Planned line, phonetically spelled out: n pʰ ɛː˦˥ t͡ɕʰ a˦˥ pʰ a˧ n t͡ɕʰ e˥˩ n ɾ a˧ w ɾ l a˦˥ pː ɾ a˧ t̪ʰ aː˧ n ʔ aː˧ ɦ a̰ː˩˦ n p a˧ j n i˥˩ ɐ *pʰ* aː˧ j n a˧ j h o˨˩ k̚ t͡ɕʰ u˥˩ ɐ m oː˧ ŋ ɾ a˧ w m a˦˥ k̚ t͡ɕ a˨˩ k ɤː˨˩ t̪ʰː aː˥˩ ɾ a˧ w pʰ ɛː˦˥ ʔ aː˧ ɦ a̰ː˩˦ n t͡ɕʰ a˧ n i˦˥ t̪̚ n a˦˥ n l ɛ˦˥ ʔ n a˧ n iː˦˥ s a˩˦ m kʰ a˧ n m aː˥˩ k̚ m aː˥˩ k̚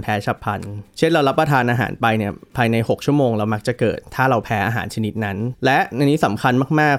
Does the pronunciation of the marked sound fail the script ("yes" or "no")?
no